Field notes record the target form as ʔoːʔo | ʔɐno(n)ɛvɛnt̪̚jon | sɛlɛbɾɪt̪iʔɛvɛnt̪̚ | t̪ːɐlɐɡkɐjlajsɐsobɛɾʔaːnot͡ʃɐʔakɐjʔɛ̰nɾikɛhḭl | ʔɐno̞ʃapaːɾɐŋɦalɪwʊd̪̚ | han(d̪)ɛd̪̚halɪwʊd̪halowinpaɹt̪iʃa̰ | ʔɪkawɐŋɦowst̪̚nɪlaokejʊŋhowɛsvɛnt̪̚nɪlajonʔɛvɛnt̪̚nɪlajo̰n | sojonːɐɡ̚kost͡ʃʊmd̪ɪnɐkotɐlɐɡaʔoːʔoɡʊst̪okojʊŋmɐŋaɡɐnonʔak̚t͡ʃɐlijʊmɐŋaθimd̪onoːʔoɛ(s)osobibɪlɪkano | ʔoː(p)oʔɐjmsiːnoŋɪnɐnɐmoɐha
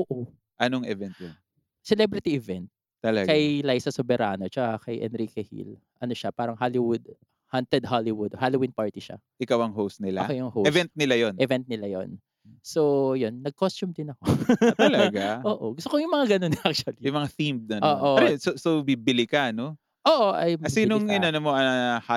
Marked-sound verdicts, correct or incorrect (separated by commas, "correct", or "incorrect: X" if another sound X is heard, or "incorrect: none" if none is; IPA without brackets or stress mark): incorrect: ŋ, incorrect: t̪, correct, incorrect: ʔ